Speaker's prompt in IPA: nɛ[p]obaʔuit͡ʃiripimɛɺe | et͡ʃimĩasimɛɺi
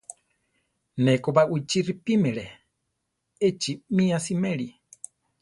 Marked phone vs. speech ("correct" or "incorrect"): incorrect